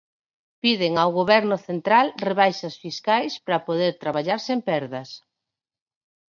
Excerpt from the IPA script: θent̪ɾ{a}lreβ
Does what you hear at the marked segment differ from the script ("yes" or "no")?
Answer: no